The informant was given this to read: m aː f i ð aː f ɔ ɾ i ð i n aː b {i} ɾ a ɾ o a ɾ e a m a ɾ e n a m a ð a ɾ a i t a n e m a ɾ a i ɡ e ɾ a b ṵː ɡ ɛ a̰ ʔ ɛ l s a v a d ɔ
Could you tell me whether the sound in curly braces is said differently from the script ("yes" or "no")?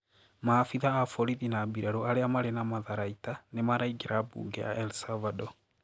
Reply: no